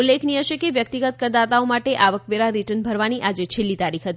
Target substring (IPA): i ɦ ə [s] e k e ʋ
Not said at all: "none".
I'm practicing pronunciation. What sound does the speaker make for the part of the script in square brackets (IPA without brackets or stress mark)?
ʃ